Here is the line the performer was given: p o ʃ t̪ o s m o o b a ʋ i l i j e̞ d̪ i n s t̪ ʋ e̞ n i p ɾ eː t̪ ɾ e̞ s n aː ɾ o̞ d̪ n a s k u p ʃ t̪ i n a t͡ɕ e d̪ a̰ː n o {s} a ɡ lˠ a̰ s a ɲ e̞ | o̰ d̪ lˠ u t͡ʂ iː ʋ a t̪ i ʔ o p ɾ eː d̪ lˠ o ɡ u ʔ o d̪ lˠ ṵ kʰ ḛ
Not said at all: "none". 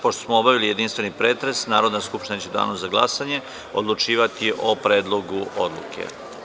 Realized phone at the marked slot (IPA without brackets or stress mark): z